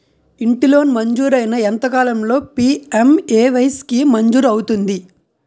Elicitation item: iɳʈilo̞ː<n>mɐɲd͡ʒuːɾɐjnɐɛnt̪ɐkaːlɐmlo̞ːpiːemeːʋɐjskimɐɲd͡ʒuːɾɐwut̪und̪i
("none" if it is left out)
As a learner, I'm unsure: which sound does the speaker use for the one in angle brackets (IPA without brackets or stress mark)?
n